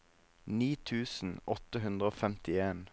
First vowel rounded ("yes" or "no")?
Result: no